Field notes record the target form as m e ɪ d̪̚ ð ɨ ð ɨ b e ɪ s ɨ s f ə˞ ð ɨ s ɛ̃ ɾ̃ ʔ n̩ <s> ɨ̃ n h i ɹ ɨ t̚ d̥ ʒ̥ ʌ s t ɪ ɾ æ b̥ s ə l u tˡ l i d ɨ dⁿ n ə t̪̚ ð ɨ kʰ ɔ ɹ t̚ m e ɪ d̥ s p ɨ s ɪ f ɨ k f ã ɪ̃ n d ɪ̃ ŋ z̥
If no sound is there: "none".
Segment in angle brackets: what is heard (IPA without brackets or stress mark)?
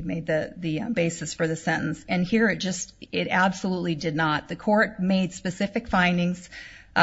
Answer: s